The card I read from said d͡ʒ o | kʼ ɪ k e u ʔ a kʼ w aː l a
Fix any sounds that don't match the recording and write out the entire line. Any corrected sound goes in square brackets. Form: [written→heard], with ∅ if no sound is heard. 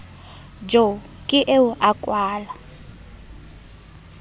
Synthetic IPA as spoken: d͡ʒ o | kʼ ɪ [k→ʔ] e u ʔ a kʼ w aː l a